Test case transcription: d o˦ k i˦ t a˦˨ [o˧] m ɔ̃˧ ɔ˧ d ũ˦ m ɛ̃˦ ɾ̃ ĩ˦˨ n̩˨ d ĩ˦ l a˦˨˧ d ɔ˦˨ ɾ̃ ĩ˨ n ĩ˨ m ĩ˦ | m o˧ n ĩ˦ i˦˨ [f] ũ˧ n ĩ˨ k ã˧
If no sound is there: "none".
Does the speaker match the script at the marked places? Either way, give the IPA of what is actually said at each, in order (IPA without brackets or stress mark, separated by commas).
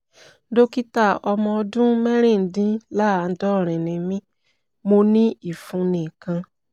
ɔ˧, f